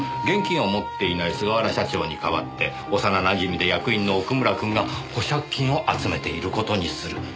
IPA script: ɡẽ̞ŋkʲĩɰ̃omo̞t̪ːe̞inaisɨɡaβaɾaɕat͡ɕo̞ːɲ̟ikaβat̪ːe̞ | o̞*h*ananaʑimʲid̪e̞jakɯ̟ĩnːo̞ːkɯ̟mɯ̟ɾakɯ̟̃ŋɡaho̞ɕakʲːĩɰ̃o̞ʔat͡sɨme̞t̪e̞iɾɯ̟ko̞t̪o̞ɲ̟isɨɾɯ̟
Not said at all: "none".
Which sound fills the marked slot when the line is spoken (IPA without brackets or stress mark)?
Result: s